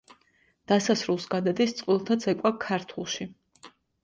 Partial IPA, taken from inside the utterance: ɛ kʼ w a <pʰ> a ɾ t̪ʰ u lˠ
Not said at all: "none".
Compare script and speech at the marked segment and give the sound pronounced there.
kʰ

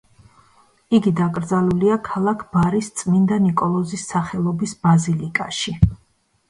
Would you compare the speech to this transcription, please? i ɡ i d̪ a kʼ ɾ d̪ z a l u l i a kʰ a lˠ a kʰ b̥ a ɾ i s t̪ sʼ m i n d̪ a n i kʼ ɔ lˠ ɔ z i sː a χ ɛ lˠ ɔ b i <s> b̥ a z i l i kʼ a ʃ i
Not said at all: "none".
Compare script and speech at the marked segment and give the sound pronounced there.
s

